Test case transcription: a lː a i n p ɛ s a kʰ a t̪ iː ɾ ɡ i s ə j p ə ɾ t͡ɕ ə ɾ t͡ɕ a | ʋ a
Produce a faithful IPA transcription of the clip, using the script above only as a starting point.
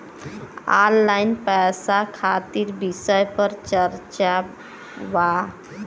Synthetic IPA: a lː a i n p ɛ s a kʰ a t̪ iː ɾ b i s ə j p ə ɾ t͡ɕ ə ɾ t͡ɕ a | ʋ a